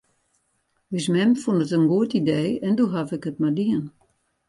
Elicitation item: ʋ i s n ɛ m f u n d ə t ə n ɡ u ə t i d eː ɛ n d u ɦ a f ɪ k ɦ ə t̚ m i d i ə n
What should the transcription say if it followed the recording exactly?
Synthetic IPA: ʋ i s m ɛ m f u n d ə t ə n ɡ u ə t i d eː ɛ n d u ɦ a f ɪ k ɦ ə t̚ m a d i ə n